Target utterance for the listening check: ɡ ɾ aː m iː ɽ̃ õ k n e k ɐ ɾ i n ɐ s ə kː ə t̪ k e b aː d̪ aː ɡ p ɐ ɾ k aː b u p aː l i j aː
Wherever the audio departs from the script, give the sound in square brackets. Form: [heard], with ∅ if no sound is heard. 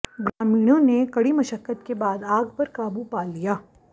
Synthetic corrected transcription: ɡ ɾ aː m iː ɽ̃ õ [∅] n e k ɐ [ɽ] i [m] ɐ [ʃ] ə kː ə t̪ k e b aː d̪ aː ɡ p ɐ ɾ k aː b u p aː l i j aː